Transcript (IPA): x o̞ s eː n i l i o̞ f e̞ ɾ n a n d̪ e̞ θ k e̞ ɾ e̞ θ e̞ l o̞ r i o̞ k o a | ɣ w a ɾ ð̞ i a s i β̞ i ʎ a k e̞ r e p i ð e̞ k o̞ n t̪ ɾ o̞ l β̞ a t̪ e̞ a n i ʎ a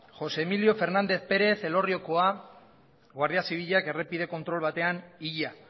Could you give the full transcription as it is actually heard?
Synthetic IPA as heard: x o̞ s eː m i l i o̞ f e̞ ɾ n a n d̪ e̞ θ p e̞ ɾ e̞ θ e̞ l o̞ r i o̞ k o a | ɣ w a ɾ ð̞ i a s i β̞ i ʎ a k e̞ r e p i ð e̞ k o̞ n t̪ ɾ o̞ l β̞ a t̪ e̞ a n i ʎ a